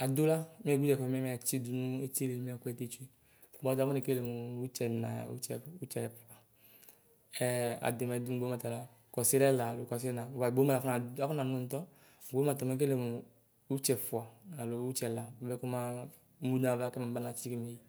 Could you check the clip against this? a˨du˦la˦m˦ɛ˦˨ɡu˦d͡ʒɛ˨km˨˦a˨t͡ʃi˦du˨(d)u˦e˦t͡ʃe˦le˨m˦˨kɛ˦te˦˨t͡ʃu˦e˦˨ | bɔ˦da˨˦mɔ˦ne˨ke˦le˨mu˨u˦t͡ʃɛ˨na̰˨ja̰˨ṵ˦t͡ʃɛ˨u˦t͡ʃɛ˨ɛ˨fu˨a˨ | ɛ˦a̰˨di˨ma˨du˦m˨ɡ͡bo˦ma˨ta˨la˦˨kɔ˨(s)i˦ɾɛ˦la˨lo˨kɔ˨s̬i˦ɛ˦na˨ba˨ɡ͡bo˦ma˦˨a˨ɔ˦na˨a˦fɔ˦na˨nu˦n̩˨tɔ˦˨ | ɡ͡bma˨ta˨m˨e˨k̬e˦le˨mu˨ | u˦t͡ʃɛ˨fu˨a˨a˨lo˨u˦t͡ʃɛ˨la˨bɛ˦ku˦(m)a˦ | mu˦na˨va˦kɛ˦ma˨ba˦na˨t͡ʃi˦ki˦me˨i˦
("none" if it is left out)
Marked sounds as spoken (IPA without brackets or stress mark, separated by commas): n, s, m